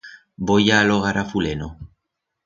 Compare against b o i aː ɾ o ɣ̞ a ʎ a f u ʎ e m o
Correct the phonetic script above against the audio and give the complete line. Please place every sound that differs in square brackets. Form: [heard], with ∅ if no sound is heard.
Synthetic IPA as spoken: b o [j] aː [l] o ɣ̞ a [ɾ] a f u [l] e [n] o